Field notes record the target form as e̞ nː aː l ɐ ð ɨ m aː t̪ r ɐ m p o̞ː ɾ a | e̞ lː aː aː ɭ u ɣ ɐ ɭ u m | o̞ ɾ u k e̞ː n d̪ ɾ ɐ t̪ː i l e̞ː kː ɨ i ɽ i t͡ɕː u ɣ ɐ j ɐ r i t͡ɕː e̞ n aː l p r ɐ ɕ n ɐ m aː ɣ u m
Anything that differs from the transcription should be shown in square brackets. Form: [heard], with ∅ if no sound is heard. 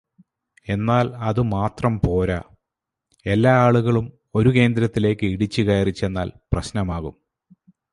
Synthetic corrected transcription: e̞ nː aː l ɐ ð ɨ m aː t̪ r ɐ m p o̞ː ɾ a | e̞ lː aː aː ɭ u ɣ ɐ ɭ u m | o̞ ɾ u k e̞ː n d̪ ɾ ɐ t̪ː i l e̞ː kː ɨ i ɽ i t͡ɕː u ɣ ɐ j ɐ r i t͡ɕː e̞ [nː] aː l p r ɐ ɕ n ɐ m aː ɣ u m